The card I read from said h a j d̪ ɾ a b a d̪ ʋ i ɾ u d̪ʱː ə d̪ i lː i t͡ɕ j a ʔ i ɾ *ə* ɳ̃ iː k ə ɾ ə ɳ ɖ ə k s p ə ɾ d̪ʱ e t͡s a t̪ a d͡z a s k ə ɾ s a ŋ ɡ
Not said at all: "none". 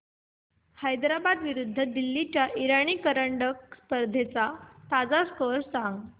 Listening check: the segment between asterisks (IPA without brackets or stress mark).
a